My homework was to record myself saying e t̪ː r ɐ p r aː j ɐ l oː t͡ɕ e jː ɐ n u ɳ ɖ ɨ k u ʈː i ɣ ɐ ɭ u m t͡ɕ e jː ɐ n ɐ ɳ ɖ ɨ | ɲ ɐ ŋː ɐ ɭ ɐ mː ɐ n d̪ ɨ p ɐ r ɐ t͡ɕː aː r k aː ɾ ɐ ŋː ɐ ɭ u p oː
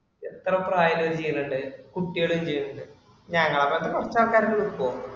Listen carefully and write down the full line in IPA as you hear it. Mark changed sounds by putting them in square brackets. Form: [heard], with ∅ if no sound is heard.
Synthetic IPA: e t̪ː r ɐ p r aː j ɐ l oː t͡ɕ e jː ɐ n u ɳ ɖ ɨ k u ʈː i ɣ ɐ ɭ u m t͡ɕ e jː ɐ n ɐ ɳ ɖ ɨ | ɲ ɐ ŋː ɐ ɭ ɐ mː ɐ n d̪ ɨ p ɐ r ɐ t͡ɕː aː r k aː ɾ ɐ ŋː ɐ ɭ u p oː